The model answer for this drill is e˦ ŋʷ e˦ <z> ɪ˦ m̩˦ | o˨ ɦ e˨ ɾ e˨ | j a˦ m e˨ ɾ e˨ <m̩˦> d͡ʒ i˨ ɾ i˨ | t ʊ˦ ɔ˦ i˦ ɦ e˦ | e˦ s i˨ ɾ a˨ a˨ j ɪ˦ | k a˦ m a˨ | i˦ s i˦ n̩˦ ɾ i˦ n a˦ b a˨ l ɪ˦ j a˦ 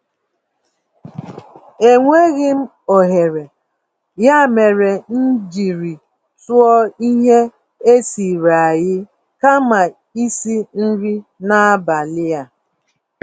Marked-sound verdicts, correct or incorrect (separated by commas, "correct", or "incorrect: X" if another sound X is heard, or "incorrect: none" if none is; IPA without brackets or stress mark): incorrect: ɣ, incorrect: n̩˦